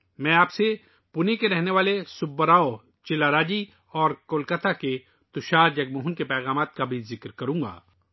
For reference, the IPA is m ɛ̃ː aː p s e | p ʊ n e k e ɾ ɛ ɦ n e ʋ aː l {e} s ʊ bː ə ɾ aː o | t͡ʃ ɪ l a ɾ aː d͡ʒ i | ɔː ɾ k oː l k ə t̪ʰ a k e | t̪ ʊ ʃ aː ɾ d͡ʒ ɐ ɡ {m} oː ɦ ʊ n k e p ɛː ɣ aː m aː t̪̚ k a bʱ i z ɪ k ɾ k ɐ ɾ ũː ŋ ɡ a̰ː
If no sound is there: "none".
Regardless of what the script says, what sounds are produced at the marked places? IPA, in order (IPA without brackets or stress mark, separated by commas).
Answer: e, m